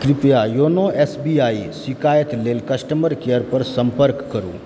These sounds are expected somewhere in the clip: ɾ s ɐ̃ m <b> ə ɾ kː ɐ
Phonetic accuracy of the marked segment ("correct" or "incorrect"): incorrect